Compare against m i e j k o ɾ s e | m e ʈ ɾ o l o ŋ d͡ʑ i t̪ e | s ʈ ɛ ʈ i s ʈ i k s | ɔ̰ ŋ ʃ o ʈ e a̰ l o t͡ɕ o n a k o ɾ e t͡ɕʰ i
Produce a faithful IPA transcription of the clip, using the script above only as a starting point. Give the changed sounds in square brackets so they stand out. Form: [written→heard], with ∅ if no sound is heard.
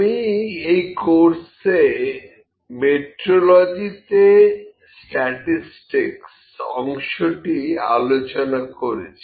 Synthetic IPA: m i e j k o ɾ s e | m e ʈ ɾ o l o [ŋ→∅] d͡ʑ i t̪ e | s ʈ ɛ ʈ i s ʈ i k s | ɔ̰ ŋ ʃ o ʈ [e→i] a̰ l o t͡ɕ o n a k o ɾ e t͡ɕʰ i